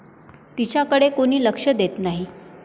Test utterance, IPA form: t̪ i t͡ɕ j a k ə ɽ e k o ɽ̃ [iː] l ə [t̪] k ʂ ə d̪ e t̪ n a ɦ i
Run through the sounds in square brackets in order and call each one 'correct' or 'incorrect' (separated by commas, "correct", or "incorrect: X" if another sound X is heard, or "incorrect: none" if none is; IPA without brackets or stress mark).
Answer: correct, incorrect: none